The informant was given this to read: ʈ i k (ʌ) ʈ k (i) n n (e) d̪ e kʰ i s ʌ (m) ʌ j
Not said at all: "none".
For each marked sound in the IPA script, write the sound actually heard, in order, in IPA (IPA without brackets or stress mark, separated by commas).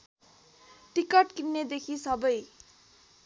ʌ, i, e, b